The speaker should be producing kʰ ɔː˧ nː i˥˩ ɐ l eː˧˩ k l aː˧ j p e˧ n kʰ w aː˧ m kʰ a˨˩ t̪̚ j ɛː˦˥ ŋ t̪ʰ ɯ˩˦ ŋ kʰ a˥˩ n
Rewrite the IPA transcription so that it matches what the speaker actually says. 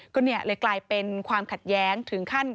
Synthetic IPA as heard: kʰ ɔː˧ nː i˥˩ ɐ l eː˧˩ k l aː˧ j p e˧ n kʰ w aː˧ m kʰ a˨˩ t̪̚ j ɛː˦˥ ŋ t̪ʰ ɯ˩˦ ŋ kʰ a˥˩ n